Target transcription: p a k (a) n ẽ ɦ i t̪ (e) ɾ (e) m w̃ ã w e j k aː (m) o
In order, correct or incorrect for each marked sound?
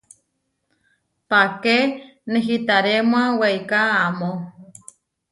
incorrect, incorrect, correct, correct

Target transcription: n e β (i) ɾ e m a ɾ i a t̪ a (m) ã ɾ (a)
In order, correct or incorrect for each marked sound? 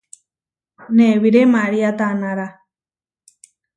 correct, incorrect, correct

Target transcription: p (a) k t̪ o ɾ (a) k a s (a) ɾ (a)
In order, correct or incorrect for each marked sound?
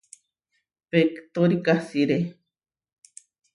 incorrect, incorrect, incorrect, incorrect

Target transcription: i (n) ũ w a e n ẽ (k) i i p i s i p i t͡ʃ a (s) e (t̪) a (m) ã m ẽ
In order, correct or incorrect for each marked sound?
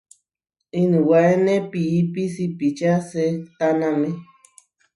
correct, incorrect, correct, correct, incorrect

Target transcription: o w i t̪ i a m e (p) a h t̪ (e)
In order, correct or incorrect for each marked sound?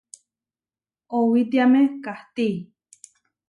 incorrect, incorrect

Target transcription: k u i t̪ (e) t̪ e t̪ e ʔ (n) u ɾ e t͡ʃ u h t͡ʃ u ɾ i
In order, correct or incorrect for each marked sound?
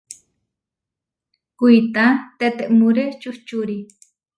incorrect, incorrect

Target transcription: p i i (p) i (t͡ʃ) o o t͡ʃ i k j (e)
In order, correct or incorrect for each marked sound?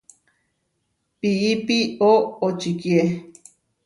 correct, incorrect, correct

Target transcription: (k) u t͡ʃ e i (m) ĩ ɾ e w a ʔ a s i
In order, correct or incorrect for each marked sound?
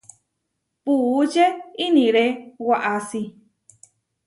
incorrect, incorrect

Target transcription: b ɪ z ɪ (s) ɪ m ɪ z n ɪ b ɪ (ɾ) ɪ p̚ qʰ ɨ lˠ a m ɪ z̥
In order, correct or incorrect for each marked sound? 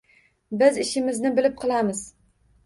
incorrect, incorrect

